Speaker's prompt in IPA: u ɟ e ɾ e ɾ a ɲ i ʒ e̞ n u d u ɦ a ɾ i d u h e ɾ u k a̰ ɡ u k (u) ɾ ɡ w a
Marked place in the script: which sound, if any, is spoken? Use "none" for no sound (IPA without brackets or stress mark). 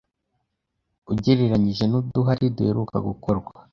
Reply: o